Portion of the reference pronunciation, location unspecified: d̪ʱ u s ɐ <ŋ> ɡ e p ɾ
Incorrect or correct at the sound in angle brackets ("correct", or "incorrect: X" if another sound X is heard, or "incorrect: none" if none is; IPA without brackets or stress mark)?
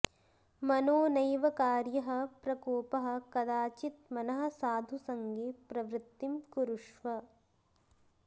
correct